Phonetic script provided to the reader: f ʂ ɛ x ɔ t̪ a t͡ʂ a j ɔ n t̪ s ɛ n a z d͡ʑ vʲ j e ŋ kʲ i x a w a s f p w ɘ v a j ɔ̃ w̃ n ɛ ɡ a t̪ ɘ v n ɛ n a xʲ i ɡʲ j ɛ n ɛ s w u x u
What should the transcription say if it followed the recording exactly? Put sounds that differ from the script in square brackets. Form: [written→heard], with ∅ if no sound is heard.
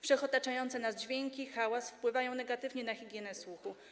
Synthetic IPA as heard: f ʂ ɛ x ɔ t̪ a t͡ʂ a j ɔ n t̪ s ɛ n a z d͡ʑ vʲ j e ŋ kʲ i x a w a s f p w ɘ v a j ɔ̃ w̃ n ɛ ɡ a t̪ ɘ v [n→ɲ] ɛ n a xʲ i ɡʲ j ɛ n ɛ s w u x u